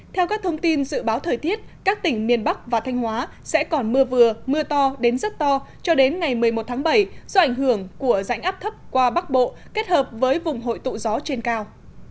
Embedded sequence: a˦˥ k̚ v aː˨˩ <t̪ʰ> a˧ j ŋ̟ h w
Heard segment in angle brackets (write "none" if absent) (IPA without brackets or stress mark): t̪ʰ